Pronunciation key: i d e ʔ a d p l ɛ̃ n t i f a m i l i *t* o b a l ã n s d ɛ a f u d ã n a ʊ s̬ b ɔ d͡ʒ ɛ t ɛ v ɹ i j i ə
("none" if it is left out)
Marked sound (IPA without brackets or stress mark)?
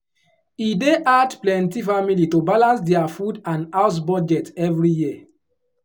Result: t